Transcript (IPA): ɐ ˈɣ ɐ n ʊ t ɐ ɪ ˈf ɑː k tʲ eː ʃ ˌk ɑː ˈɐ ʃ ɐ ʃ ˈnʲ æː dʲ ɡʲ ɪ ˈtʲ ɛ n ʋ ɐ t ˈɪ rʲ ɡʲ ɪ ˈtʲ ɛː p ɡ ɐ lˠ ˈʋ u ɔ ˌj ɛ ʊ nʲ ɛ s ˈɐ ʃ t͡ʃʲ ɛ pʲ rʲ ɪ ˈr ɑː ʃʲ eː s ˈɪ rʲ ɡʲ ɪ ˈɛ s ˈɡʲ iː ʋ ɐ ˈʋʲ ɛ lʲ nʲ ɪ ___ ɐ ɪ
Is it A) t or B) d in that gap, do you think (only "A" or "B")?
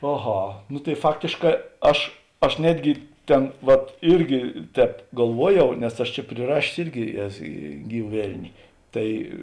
A